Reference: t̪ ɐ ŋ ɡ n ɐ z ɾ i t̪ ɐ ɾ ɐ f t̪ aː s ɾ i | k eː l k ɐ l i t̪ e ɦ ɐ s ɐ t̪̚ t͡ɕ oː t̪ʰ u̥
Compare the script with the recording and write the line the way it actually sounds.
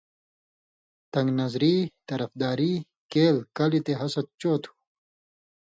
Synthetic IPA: t̪ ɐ ŋ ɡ n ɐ z ɾ i t̪ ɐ ɾ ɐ f d̪ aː ɾ i | k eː l k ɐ l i t̪ e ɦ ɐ s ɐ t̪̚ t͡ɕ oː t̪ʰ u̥